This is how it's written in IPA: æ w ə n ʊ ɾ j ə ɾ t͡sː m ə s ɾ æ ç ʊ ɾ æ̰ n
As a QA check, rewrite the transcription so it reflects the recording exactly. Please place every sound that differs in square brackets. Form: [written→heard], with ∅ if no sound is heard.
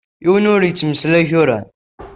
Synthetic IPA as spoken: [æ→i] w ə n ʊ ɾ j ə [ɾ→∅] t͡sː m ə s [ɾ→l] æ ç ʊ ɾ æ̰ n